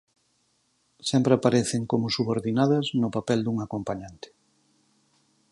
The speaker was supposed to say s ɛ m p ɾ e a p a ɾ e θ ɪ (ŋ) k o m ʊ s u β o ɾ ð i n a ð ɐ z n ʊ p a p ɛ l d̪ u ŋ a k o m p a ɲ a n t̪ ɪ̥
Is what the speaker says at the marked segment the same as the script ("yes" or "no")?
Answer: yes